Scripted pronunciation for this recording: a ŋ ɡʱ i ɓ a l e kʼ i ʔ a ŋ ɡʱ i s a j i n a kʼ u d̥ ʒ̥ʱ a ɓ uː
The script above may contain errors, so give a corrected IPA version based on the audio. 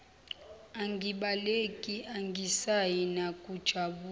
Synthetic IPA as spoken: a ŋ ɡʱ i ɓ a l e kʼ i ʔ a ŋ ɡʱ i s a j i n a kʼ u d̥ ʒ̥ʱ a ɓ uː